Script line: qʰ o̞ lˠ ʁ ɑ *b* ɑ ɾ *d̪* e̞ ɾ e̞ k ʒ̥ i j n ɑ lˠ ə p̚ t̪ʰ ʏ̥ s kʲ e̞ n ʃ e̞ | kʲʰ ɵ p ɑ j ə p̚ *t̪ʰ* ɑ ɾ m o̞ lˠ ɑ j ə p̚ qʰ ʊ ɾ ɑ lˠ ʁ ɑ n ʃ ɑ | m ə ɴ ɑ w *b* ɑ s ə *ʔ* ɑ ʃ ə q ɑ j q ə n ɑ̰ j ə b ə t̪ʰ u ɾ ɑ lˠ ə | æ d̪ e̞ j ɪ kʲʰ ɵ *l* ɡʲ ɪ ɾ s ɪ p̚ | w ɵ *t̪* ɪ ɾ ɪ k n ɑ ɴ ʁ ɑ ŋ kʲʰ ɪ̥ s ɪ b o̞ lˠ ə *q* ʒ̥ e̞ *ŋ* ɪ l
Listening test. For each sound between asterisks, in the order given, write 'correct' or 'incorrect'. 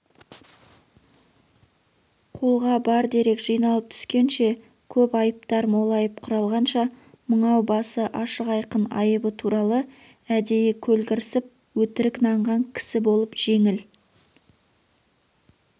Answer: correct, correct, incorrect, correct, correct, correct, correct, incorrect, correct

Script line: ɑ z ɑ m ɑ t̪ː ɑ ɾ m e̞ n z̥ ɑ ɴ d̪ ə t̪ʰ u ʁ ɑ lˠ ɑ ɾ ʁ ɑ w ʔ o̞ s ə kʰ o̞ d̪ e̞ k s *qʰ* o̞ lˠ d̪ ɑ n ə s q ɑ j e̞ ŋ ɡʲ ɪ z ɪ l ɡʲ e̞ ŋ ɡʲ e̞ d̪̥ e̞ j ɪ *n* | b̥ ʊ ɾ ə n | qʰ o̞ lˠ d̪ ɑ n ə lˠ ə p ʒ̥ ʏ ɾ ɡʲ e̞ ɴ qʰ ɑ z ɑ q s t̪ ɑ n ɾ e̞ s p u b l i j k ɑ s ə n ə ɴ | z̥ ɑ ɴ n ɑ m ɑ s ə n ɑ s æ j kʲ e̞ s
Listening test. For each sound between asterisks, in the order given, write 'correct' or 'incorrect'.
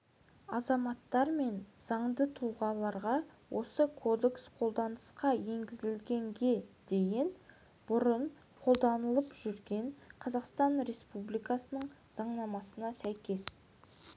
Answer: correct, correct

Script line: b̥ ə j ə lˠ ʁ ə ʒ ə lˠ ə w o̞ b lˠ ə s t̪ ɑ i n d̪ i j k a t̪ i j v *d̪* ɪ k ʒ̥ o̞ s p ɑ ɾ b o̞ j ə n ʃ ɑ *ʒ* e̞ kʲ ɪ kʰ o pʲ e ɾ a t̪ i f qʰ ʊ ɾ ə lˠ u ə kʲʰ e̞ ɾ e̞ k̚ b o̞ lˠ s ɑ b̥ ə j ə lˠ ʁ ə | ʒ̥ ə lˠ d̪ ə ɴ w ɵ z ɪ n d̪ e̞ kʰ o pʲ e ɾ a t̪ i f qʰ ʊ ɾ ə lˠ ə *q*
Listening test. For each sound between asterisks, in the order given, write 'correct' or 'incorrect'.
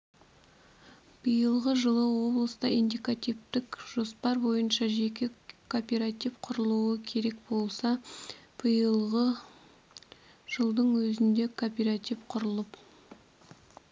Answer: incorrect, correct, incorrect

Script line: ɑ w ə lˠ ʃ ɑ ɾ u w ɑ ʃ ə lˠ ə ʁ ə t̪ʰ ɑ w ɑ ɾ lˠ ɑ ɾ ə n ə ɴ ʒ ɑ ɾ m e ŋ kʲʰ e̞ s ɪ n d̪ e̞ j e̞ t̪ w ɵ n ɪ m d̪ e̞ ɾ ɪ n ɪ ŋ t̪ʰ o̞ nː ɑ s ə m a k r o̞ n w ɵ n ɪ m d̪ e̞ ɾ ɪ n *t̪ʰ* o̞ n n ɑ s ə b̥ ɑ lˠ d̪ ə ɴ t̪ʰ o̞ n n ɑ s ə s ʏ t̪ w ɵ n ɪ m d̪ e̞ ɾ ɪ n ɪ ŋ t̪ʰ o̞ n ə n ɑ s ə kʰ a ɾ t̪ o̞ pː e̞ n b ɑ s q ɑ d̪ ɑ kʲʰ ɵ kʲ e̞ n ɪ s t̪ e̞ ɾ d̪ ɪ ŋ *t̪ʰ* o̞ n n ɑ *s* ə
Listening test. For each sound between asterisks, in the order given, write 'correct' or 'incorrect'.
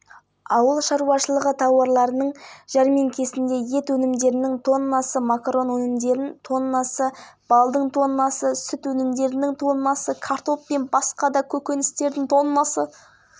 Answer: correct, correct, correct

